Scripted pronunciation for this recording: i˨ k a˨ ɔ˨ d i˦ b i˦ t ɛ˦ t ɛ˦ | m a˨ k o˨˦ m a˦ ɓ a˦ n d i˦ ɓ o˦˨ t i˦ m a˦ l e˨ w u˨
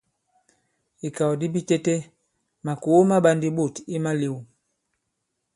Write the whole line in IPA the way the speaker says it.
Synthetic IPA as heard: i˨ k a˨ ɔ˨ d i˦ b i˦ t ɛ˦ t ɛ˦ | m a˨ k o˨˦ m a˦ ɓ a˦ n d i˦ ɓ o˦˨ t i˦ m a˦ l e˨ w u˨